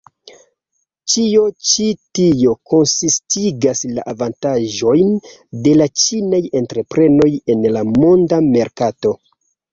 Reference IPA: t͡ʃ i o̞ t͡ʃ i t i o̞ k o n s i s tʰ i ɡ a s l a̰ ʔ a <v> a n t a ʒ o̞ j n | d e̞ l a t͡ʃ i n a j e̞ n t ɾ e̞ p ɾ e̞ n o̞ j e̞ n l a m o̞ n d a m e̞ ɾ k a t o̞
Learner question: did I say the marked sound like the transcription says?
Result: yes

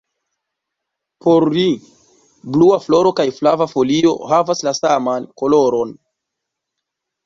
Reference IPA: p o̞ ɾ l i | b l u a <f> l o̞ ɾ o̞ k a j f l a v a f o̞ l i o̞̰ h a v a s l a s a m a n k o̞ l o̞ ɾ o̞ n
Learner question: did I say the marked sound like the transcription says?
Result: yes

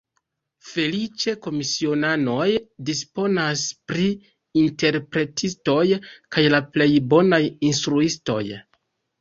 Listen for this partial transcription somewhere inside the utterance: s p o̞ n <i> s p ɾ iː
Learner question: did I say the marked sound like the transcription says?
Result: no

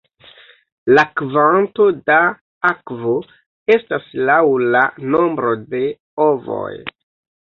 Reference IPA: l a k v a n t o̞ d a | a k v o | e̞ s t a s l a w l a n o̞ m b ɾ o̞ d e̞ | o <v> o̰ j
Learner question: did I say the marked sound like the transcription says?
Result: yes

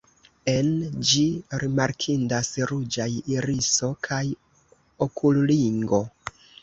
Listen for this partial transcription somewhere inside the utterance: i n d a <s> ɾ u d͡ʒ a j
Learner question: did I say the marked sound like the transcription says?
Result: yes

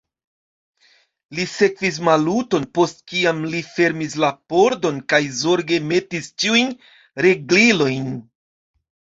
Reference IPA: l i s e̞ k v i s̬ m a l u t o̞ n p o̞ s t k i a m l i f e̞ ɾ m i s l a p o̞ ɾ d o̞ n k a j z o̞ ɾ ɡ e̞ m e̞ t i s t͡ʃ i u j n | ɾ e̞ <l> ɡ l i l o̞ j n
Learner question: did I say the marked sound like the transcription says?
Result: no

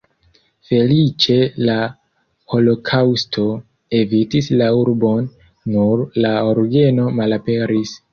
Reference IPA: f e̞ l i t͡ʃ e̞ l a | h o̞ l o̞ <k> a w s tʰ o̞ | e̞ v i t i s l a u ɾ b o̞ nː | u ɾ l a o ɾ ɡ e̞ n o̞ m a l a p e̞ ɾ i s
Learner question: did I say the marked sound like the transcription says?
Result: no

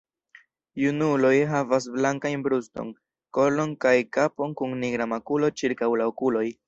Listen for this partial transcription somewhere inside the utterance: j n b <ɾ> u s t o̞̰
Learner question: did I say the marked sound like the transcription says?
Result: yes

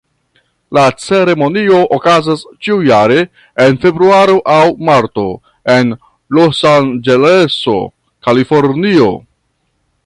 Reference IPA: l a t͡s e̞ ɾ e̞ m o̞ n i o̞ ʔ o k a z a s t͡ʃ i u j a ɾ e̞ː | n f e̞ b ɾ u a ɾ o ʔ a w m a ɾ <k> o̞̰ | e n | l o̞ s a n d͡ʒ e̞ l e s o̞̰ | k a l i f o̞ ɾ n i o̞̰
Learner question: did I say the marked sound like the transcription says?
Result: no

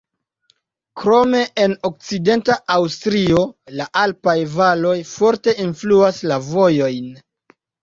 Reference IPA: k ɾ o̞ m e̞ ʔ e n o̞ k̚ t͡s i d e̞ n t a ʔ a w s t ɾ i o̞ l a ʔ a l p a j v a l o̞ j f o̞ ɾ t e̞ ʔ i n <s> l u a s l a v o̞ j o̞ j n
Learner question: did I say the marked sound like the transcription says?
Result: no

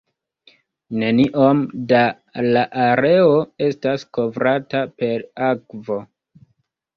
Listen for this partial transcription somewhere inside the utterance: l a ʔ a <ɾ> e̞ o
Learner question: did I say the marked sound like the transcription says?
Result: yes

